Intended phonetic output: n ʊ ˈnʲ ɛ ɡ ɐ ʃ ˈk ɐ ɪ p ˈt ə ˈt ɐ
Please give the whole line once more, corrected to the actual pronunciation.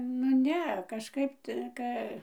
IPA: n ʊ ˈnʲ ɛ k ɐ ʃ ˈk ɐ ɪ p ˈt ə ˈk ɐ